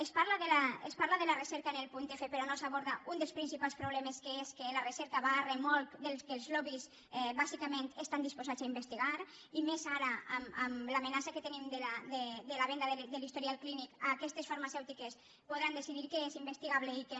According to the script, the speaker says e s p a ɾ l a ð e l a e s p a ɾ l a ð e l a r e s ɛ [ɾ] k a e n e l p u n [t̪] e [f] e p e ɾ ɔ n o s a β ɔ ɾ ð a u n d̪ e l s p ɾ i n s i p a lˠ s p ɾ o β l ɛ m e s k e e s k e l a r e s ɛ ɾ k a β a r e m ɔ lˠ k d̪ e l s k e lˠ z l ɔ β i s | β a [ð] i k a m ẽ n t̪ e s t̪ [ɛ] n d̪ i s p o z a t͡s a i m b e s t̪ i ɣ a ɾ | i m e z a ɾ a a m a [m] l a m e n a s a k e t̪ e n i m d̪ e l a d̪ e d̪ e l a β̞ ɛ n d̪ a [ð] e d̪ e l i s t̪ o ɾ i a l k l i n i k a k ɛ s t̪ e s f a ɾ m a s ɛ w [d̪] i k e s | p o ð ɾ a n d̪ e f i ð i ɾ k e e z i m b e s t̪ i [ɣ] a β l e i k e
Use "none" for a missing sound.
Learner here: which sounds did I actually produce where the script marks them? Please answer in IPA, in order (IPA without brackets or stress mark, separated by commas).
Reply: ɾ, t̪, f, z, a, m, ð, t̪, ɣ